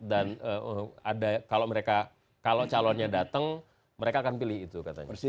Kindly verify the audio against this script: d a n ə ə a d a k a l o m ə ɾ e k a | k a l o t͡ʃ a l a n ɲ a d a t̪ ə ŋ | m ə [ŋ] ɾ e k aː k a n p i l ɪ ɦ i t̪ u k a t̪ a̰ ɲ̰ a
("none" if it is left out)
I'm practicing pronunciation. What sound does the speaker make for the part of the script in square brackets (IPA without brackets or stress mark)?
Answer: none